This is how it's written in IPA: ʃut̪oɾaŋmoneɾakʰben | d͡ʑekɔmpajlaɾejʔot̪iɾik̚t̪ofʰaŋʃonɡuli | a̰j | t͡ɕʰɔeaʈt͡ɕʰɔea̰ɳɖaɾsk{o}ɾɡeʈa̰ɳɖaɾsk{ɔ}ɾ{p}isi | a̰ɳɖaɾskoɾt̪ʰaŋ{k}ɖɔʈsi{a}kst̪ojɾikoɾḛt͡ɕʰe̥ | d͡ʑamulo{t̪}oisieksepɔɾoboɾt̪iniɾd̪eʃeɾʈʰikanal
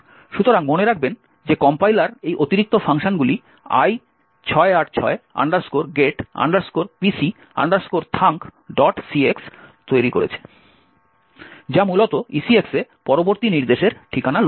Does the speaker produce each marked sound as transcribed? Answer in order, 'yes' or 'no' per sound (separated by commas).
yes, no, yes, yes, no, yes